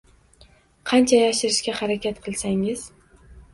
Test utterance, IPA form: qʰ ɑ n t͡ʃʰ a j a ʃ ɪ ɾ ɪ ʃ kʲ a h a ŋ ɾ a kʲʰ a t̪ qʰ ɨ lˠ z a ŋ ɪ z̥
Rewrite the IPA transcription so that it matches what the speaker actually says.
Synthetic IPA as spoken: qʰ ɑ n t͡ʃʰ a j a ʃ ɪ ɾ ɪ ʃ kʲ a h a ɾ a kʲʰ a t̪ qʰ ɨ lˠ s a ŋ ɪ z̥